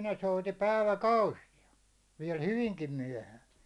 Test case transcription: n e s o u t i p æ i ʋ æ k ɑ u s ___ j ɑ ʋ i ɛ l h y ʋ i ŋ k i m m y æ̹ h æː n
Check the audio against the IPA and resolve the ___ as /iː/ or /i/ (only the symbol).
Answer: i